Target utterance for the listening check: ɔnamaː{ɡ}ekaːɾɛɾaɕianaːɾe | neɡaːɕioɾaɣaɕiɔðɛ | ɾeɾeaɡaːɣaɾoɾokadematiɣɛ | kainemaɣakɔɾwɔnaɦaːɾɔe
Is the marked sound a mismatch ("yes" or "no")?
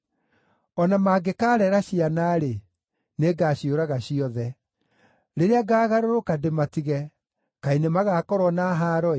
no